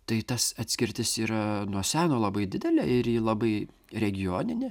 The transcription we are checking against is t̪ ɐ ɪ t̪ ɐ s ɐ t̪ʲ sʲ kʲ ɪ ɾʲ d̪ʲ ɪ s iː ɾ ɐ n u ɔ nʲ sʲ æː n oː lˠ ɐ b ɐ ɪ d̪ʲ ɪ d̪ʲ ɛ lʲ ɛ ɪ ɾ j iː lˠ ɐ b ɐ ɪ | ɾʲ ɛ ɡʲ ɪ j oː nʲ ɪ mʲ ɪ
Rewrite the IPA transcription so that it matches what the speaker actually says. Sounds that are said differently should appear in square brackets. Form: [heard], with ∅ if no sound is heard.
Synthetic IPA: t̪ ɐ ɪ t̪ ɐ s ɐ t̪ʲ sʲ kʲ ɪ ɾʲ [t̪ʲ] ɪ s iː ɾ ɐ n u ɔ [∅] sʲ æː n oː lˠ ɐ b ɐ ɪ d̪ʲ ɪ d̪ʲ ɛ lʲ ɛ ɪ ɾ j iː lˠ ɐ b ɐ ɪ | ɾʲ ɛ ɡʲ ɪ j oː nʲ ɪ [nʲ] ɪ